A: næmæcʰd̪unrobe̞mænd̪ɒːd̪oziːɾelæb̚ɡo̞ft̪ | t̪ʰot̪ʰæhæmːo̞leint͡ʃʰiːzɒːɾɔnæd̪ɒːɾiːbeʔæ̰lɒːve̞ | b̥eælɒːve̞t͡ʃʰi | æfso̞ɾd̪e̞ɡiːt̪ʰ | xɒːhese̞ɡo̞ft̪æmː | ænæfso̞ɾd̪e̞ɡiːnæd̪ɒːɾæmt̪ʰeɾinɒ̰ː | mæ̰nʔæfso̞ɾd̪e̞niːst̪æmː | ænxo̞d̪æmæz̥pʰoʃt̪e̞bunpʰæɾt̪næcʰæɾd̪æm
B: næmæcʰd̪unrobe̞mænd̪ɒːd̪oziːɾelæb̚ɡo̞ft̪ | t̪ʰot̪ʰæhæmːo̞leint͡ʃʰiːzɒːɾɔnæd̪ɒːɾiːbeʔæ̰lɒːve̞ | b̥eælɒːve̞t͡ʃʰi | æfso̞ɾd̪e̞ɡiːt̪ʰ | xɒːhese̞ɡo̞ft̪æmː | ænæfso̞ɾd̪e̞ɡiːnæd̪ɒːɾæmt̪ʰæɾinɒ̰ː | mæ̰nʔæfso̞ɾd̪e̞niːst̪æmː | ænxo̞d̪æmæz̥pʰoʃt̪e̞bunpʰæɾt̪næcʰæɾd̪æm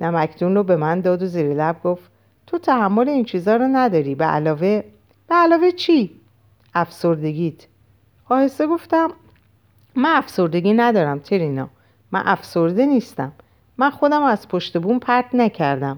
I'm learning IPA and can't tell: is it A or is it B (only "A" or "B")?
A